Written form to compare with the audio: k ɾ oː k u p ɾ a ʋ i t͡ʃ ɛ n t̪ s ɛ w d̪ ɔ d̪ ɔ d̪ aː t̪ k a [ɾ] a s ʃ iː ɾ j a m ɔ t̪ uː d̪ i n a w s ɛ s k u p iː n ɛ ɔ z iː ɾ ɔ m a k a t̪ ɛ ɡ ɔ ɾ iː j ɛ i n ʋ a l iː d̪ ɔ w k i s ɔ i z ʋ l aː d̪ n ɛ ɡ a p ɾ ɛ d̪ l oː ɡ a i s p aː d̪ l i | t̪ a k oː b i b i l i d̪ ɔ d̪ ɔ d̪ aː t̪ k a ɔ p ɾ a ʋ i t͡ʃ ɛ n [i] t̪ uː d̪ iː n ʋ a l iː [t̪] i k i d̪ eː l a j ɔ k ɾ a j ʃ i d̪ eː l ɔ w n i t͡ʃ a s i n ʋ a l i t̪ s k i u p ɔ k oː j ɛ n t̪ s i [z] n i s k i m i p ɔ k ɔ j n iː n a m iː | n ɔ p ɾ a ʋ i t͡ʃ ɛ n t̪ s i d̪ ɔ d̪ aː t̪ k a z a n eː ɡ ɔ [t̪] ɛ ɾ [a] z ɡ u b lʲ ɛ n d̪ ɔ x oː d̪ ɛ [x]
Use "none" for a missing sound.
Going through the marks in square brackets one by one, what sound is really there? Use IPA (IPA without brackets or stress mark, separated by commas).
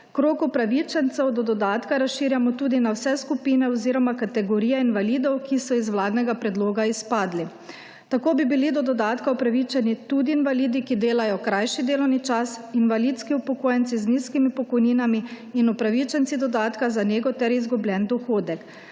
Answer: ɾ, i, d̪, z, t̪, i, k